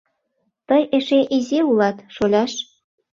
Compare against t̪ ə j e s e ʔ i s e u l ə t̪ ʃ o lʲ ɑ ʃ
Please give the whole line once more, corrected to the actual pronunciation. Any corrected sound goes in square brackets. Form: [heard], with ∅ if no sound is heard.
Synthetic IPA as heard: t̪ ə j e [ʃ] e ʔ i [z] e u l [ɑ] t̪ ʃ o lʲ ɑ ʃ